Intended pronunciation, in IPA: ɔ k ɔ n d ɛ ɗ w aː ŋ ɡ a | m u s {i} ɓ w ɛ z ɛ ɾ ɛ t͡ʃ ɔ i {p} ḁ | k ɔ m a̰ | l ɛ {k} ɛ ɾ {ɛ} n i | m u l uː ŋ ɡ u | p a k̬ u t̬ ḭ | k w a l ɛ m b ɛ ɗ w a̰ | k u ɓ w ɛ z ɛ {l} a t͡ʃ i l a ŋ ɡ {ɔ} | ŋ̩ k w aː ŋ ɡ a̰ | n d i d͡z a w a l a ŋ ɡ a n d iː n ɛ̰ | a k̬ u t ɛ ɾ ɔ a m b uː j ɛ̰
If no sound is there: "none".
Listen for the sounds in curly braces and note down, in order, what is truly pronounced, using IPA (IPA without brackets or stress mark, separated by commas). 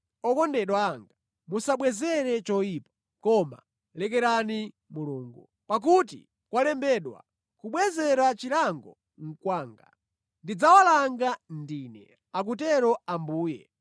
a, p, k, a, ɾ, ɔ